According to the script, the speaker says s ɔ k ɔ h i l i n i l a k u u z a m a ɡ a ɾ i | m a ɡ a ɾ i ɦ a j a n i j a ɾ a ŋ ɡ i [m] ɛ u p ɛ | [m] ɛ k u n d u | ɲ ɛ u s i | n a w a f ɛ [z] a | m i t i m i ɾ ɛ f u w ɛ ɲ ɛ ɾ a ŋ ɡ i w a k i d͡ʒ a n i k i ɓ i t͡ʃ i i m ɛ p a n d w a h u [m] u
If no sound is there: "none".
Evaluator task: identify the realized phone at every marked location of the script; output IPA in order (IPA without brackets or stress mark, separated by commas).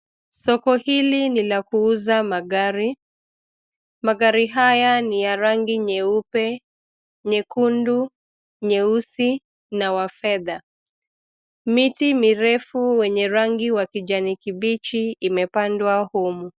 ɲ, ɲ, ð, m